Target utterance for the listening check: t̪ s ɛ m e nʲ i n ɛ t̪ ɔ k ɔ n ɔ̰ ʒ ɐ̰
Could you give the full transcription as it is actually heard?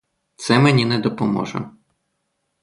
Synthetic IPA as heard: t̪ s ɛ m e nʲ i n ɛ d̪ ɔ p ɔ m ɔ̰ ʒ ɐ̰